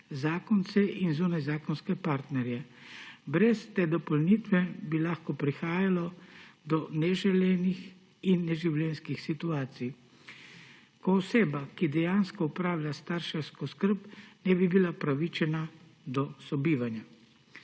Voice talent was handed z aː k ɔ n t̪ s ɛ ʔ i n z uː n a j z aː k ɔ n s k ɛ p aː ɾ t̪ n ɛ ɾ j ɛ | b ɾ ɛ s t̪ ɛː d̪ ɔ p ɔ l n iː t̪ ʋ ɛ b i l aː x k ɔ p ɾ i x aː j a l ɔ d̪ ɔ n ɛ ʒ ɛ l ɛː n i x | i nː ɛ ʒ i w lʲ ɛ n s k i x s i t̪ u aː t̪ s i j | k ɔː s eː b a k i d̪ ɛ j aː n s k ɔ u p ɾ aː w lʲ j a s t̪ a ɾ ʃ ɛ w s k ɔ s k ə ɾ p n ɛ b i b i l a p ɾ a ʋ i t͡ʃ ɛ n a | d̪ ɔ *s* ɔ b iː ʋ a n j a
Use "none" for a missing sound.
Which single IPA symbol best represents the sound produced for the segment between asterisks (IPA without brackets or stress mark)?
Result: s